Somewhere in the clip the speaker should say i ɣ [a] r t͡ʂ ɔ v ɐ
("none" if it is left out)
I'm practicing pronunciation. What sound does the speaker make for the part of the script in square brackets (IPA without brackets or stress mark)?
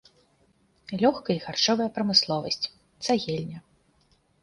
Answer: a